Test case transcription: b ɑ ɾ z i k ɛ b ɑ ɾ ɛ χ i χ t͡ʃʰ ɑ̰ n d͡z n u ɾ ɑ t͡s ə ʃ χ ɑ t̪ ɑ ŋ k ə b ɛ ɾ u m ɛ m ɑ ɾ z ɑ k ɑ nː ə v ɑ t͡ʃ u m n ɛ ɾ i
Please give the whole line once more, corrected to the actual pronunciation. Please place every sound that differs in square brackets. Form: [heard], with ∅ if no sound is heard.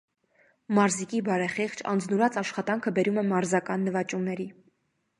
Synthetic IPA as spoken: [m] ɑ ɾ z i k [i] b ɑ ɾ ɛ χ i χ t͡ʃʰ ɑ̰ n d͡z n u ɾ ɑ t͡s [ɑ] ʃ χ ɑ t̪ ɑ ŋ [kʰ] ə b ɛ ɾ u m ɛ m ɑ ɾ z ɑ k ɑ nː ə v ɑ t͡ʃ u m n ɛ ɾ i

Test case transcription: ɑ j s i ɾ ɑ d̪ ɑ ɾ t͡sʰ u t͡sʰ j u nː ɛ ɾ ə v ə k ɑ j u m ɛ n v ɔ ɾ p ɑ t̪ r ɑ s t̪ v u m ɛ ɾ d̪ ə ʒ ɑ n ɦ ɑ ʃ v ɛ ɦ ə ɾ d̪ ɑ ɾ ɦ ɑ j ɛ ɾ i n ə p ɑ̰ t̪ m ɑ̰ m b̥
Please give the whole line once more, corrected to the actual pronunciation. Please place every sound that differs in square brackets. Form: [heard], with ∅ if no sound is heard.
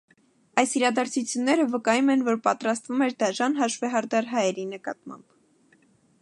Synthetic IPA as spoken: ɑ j s i ɾ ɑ d̪ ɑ ɾ t͡sʰ u t͡sʰ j u nː ɛ ɾ ə v ə k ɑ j u m ɛ n v ɔ ɾ p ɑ t̪ [ɾ] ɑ s t̪ v u m ɛ ɾ d̪ [ɑ] ʒ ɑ n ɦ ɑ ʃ v ɛ ɦ [ɑ] ɾ d̪ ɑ ɾ ɦ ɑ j ɛ ɾ i n ə [k] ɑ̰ t̪ m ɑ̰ m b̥

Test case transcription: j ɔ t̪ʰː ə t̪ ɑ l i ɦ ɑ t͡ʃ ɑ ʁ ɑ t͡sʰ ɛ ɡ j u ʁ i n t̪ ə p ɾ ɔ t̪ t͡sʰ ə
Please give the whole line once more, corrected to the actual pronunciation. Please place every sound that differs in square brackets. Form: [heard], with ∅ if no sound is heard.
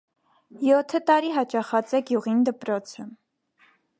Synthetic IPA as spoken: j ɔ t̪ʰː ə t̪ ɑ [ɾ] i ɦ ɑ t͡ʃ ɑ [χ] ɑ [t͡s] ɛ ɡ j u ʁ i n [d̪] ə p ɾ ɔ [∅] t͡sʰ ə

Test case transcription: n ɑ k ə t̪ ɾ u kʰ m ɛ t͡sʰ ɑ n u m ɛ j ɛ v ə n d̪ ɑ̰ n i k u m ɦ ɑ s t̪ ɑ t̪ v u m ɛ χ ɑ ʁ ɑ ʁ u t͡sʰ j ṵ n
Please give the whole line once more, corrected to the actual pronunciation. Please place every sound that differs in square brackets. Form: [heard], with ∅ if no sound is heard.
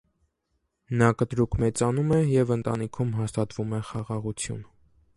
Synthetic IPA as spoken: n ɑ k ə t̪ ɾ u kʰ m ɛ [t͡s] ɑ n u m ɛ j ɛ v ə n [t̪] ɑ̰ n i [kʰ] u m ɦ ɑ s t̪ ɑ t̪ v u m ɛ χ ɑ ʁ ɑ ʁ u t͡sʰ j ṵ n

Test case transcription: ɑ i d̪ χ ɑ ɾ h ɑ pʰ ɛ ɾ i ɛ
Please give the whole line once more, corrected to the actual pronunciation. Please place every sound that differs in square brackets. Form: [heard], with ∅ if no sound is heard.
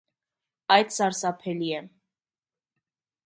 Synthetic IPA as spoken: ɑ [j] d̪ [s] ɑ ɾ [s] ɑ pʰ ɛ [l] i ɛ

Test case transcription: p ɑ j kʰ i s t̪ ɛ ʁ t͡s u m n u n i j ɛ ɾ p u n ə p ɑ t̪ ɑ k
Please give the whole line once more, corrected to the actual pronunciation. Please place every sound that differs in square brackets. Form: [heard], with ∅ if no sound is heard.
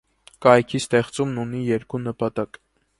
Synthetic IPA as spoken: [k] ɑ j kʰ i s t̪ ɛ [χ] t͡s u m n u n i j ɛ ɾ [k] u n ə p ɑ t̪ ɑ k

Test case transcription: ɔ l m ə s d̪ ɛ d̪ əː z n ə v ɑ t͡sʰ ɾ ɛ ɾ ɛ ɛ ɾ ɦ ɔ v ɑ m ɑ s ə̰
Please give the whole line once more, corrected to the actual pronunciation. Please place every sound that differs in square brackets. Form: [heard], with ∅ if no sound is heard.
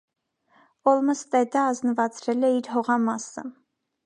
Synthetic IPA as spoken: ɔ l m ə s [t̪] ɛ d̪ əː z n ə v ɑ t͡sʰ ɾ ɛ [l] ɛ [i] ɾ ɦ ɔ [ʁ] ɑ m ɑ s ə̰

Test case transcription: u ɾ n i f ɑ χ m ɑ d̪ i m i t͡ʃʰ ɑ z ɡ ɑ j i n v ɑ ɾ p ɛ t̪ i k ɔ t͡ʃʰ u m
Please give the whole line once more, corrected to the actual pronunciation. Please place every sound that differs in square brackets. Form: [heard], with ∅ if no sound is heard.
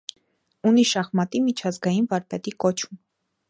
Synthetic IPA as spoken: u [∅] n i [ʃ] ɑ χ m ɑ [t̪] i m i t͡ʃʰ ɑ z ɡ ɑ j i n v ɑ ɾ p ɛ t̪ i k ɔ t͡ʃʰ u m

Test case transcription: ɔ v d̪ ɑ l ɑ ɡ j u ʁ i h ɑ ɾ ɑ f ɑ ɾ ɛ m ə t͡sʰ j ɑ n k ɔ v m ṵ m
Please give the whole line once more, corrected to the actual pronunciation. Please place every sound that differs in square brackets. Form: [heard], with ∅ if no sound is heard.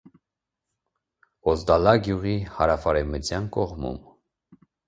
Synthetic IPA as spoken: ɔ [z] d̪ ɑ l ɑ ɡ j u ʁ i h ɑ ɾ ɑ f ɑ ɾ ɛ m ə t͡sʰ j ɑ n k ɔ [ʁ] m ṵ m

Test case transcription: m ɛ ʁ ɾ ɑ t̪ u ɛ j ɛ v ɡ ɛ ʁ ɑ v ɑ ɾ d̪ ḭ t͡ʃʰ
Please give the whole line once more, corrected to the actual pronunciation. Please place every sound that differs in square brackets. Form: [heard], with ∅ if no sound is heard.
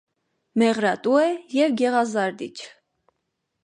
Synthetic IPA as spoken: m ɛ ʁ ɾ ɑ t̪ u ɛ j ɛ v ɡ ɛ ʁ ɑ [z] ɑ ɾ d̪ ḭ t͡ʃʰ

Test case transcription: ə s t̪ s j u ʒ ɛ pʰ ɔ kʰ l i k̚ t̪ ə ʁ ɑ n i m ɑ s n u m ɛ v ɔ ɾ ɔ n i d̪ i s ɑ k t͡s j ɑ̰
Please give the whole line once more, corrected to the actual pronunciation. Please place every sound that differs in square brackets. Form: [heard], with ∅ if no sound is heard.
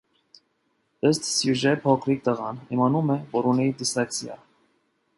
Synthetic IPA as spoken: ə s t̪ s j u ʒ ɛ pʰ ɔ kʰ [ɾ] i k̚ t̪ ə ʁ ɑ n i m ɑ [∅] n u m ɛ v ɔ ɾ [u] n i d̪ i s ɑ k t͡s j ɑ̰

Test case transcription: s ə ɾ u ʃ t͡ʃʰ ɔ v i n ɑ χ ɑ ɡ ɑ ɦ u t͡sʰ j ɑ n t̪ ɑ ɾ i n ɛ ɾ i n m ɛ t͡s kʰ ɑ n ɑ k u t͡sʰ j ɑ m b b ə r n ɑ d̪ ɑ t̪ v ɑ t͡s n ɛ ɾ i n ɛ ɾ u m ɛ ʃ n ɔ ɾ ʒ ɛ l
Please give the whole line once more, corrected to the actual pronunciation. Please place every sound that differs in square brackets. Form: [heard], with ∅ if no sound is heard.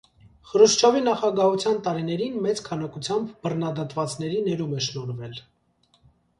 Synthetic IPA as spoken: [χ] ə ɾ u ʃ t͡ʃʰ ɔ v i n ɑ χ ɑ ɡ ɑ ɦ u t͡sʰ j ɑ n t̪ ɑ ɾ i n ɛ ɾ i n m ɛ t͡s kʰ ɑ n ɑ k u t͡sʰ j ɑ m b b ə r n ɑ d̪ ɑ t̪ v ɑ t͡s n ɛ ɾ i n ɛ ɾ u m ɛ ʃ n ɔ ɾ [v] ɛ l

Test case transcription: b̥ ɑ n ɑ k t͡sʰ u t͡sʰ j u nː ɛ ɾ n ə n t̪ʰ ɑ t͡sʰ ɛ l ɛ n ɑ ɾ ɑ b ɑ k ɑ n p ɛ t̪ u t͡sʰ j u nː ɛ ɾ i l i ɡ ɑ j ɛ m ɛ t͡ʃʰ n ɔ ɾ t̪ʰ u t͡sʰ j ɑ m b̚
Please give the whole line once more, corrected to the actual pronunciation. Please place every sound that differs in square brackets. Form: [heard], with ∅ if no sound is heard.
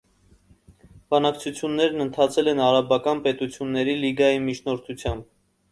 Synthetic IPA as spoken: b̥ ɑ n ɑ k t͡sʰ u t͡sʰ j u nː ɛ ɾ n ə n t̪ʰ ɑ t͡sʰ ɛ l ɛ n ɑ ɾ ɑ b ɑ k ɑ n p ɛ t̪ u t͡sʰ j u nː ɛ ɾ i l i ɡ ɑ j [i] m [i] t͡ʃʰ n ɔ ɾ t̪ʰ u t͡sʰ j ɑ m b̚

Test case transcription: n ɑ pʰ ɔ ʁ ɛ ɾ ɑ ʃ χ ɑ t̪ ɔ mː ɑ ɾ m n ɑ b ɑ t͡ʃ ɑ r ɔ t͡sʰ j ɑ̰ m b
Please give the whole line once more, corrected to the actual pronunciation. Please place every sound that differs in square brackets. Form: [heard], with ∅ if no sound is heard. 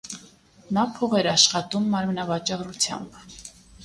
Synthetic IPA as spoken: n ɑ pʰ ɔ ʁ ɛ ɾ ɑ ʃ χ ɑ t̪ [u] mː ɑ ɾ m n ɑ [v] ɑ t͡ʃ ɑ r [u] t͡sʰ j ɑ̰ m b

